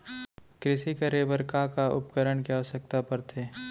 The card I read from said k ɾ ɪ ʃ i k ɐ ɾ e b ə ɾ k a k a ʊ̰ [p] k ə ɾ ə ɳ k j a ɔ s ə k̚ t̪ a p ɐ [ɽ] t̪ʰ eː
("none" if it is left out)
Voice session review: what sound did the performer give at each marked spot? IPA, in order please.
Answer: p, ɾ

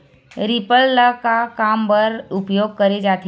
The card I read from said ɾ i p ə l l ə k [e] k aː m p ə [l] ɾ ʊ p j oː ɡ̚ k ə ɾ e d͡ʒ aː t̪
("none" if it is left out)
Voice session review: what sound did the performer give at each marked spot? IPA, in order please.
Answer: a, none

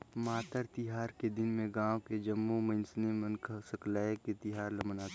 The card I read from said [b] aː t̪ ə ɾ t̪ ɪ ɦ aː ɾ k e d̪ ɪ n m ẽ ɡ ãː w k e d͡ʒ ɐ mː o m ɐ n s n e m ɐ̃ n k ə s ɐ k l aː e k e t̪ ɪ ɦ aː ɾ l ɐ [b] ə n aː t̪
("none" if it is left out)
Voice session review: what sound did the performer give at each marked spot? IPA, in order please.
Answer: m, m

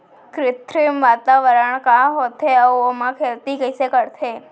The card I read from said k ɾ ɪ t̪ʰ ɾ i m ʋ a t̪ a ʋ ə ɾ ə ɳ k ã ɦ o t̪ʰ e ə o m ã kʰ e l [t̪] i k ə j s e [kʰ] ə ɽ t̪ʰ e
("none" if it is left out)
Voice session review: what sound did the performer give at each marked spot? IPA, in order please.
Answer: t̪, k

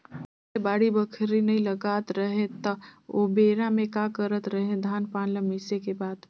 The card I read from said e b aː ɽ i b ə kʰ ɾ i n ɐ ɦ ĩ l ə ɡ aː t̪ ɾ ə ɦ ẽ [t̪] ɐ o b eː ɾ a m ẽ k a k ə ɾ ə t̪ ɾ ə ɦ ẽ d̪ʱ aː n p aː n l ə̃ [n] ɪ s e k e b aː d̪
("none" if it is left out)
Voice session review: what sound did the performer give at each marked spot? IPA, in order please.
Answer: t̪, m

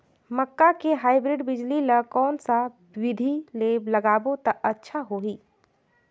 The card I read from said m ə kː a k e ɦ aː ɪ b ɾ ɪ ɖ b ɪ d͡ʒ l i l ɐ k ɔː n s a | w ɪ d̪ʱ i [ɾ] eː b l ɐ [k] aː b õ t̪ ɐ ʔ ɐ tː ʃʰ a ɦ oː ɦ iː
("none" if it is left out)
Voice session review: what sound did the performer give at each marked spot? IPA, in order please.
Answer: l, ɡ

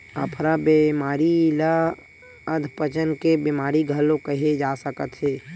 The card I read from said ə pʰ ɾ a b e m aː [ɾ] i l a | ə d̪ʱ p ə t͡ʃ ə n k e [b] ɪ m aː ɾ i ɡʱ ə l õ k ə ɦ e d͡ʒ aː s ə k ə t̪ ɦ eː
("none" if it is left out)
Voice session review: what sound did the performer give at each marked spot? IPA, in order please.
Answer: ɾ, b

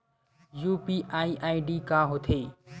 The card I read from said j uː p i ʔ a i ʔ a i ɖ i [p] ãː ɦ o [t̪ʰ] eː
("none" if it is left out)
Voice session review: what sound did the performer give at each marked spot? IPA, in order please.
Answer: k, t̪ʰ

